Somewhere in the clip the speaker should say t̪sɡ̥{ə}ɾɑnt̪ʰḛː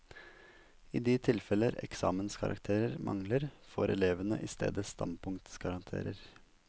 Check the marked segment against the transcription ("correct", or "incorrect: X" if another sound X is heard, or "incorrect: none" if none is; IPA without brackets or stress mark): incorrect: ɑ